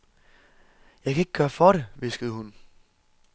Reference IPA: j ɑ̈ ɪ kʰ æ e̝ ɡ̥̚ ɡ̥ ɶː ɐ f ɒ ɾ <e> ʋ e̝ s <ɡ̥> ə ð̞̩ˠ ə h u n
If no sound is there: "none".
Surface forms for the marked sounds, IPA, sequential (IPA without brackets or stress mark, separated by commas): e, ɡ̥